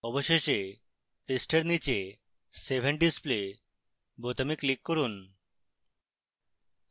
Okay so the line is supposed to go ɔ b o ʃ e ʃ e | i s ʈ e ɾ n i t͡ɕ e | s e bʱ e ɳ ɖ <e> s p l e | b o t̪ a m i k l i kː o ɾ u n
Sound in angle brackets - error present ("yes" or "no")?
yes